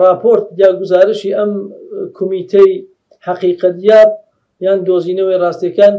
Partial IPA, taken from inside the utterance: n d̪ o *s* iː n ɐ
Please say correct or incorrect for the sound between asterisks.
incorrect